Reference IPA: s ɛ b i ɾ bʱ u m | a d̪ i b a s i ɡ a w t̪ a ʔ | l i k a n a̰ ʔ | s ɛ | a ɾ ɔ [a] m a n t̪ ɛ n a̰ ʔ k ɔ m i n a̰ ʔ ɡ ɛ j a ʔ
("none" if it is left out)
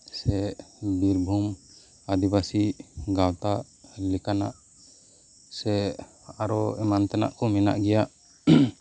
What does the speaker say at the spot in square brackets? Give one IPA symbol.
ɛ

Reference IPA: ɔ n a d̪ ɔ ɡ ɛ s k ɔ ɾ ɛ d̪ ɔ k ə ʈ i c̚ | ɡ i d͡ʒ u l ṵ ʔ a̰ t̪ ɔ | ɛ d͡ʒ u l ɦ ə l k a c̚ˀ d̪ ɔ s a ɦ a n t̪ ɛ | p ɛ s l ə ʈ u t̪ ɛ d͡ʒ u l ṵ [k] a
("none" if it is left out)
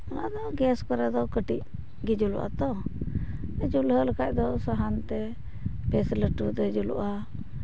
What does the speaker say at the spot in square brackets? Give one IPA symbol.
ʔ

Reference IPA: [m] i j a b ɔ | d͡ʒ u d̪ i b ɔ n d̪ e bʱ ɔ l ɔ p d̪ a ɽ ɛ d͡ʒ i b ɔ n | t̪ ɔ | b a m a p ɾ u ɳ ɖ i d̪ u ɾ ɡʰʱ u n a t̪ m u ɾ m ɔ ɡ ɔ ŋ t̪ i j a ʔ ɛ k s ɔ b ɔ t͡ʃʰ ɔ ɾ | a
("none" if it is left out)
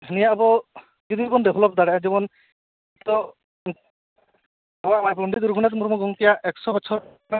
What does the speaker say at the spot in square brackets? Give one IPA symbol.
n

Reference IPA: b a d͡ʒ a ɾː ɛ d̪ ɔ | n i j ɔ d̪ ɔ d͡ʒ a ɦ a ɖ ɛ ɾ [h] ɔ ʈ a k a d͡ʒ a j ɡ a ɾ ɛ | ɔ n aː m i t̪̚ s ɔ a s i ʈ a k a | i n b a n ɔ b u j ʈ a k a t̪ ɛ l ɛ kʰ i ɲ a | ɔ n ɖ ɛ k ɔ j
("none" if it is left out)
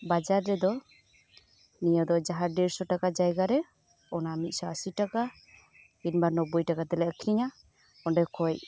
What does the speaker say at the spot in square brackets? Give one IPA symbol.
s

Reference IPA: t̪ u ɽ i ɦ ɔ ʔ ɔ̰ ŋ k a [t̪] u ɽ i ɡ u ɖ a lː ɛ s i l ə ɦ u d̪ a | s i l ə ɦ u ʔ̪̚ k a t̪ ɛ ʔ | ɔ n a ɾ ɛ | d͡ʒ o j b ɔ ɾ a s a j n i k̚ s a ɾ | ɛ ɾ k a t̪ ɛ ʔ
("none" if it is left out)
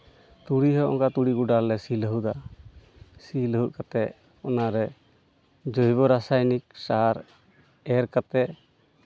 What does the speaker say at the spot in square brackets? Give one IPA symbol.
t̪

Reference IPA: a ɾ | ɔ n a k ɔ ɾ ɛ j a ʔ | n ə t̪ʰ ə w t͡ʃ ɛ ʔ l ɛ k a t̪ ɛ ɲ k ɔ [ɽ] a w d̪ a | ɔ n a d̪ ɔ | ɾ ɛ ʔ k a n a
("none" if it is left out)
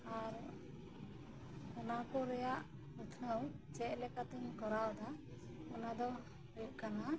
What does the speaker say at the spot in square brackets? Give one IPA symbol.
ɾ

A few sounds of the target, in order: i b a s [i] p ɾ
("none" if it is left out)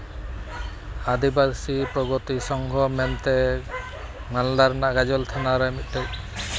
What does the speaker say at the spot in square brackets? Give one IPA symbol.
i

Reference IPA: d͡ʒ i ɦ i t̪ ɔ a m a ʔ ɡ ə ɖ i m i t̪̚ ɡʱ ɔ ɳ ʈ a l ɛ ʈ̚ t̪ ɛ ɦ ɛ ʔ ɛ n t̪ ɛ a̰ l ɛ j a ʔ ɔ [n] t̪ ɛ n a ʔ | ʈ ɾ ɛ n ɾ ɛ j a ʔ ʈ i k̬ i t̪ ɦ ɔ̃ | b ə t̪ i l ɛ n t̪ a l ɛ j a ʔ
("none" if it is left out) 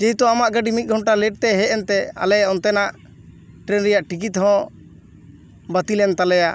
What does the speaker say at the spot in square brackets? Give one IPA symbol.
n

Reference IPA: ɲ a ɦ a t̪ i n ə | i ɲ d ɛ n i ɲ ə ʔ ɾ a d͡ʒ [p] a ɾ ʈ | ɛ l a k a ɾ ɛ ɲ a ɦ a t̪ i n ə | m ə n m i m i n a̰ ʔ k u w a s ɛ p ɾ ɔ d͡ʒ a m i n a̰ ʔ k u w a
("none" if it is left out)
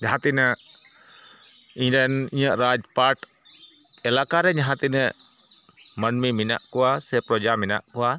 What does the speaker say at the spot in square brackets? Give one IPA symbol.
p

